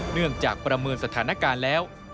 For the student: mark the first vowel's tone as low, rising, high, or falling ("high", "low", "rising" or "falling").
falling